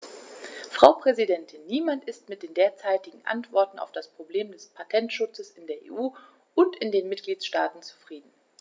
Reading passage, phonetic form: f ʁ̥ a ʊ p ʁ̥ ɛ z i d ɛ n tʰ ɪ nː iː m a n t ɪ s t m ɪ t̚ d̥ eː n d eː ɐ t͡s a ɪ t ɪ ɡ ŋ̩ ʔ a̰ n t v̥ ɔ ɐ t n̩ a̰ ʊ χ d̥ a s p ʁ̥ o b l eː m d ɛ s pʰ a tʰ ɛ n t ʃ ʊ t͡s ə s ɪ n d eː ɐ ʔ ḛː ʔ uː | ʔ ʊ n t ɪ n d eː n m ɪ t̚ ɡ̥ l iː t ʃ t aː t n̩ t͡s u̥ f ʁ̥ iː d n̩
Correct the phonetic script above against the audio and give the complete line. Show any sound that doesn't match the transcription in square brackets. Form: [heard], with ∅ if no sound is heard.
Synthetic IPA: f ʁ̥ a ʊ p ʁ̥ ɛ z i d ɛ n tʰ ɪ nː iː m a n t ɪ s t m ɪ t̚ d̥ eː n d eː ɐ t͡s a ɪ t ɪ ɡ ŋ̩ ʔ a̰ n t v̥ ɔ ɐ t n̩ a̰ ʊ [f] d̥ a s p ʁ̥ o b l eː m d ɛ s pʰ a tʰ ɛ n t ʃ ʊ t͡s ə s ɪ n d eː ɐ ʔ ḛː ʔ uː | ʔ ʊ n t ɪ n d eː n m ɪ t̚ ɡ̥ l iː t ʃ t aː t n̩ t͡s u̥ f ʁ̥ iː d n̩